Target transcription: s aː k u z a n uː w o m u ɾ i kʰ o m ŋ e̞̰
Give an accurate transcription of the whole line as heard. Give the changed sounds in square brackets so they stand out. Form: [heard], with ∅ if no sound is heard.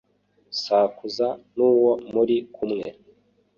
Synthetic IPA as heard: s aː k u z a n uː w o m u ɾ i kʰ [u] m ŋ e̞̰